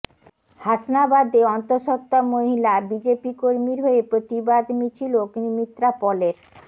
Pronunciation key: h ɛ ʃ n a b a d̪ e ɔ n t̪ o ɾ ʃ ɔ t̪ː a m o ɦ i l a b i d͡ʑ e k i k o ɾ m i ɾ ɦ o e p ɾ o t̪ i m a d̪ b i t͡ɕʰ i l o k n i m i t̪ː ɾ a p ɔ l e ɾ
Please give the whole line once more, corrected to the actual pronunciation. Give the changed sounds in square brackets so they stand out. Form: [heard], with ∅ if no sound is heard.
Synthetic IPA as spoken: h [a] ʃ n a b a d̪ e ɔ n t̪ o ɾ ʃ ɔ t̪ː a m o ɦ i l a b i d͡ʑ e [p] i k o ɾ m i ɾ ɦ o e p ɾ o t̪ i [b] a d̪ [m] i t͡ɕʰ i l o k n i m i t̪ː ɾ a p ɔ l e ɾ